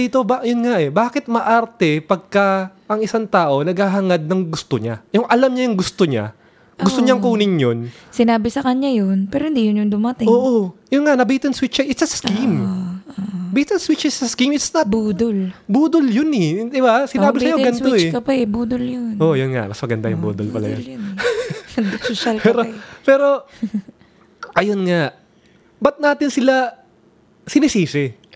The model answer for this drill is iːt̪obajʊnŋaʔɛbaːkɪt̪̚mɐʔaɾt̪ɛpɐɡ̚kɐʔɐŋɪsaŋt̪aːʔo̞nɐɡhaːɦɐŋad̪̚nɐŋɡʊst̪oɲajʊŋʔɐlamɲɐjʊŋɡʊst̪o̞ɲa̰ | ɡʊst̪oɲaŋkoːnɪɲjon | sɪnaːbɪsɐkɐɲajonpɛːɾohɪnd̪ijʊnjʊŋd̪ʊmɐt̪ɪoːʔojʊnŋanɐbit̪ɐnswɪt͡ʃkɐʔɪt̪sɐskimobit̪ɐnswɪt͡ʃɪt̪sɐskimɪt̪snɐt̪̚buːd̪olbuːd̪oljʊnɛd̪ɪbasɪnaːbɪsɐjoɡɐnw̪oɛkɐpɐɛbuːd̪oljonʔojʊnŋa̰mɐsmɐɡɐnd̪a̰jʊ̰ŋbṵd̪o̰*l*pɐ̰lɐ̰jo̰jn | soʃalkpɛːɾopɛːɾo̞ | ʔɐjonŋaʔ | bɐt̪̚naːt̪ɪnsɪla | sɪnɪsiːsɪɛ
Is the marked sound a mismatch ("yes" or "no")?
no